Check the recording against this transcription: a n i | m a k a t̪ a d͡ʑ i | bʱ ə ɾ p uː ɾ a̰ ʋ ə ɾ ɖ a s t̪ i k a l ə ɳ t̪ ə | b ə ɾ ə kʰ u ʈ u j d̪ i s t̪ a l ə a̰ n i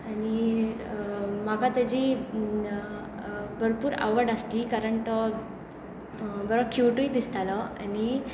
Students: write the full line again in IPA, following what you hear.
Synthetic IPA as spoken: a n i | m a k a t̪ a d͡ʑ i | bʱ ə ɾ p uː ɾ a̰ ʋ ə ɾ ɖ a s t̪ i k a ɾ ə ɳ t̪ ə | b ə ɾ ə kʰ u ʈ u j d̪ i s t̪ a l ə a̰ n i